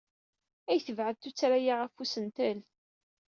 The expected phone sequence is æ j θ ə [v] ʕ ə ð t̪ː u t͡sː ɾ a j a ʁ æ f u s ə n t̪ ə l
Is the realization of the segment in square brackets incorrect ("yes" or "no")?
no